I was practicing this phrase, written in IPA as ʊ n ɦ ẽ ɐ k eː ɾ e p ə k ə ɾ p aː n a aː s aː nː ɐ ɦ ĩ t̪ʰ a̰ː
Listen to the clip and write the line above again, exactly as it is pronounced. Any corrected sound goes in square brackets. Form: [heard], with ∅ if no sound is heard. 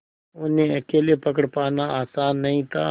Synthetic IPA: ʊ n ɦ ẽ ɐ k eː [l] e p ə k ə [ɽ] p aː n a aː s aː nː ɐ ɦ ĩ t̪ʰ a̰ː